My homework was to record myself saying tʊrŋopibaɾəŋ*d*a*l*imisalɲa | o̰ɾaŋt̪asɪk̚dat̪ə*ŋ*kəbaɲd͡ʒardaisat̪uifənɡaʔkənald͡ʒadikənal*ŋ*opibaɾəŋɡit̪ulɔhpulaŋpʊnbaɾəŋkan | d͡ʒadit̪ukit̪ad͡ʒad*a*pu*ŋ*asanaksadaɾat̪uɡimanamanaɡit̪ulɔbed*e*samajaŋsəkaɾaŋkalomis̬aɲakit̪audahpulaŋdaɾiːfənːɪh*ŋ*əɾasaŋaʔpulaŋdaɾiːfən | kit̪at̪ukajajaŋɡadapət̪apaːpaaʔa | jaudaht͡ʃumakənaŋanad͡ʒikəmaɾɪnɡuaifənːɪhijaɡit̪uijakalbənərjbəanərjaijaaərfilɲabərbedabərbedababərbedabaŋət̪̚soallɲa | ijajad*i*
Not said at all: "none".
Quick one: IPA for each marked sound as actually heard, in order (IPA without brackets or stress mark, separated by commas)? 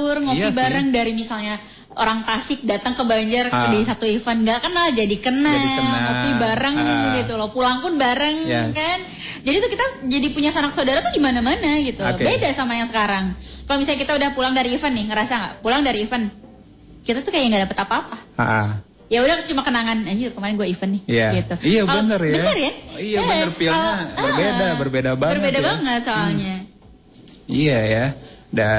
d, ɾ, ŋ, ŋ, i, ɲ, a, ŋ, a